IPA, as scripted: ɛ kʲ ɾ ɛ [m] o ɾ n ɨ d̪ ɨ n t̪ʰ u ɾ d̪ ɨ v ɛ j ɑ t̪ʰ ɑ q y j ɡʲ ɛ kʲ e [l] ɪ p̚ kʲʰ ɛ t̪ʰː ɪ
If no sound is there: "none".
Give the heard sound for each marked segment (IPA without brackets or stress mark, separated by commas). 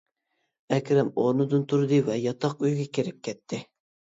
m, ɾ